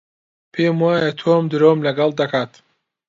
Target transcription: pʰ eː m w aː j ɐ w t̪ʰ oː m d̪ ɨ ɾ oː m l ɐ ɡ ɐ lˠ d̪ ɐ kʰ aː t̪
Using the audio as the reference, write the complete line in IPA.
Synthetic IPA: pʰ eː m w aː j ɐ t̪ʰ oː m d̪ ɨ ɾ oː m l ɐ ɡ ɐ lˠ d̪ ɐ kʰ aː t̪